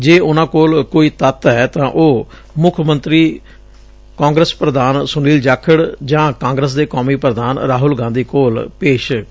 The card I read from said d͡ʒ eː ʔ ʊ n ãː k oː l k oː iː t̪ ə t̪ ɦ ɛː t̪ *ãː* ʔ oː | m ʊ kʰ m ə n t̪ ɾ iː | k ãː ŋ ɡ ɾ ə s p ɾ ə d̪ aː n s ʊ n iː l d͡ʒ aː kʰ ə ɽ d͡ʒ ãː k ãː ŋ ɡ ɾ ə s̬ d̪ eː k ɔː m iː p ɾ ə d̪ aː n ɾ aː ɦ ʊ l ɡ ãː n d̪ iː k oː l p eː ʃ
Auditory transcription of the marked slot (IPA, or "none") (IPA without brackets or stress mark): ãː